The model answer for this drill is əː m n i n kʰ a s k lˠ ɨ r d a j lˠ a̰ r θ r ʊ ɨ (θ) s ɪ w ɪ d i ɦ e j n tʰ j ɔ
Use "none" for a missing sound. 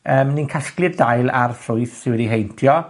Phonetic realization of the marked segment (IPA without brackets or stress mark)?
θ